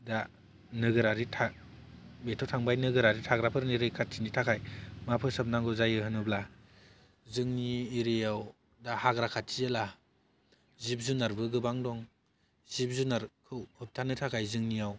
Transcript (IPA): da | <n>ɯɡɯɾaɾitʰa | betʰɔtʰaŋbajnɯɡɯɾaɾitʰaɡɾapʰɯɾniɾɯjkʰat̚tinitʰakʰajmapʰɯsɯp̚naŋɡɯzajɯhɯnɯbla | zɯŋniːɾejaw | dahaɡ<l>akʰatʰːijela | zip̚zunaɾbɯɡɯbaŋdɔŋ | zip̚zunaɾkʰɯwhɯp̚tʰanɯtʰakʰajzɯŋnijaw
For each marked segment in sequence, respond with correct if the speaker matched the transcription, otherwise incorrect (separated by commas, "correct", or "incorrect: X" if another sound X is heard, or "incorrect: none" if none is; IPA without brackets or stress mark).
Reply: correct, incorrect: ɾ